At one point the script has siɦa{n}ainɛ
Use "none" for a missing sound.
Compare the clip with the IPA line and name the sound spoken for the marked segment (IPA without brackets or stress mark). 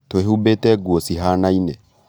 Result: n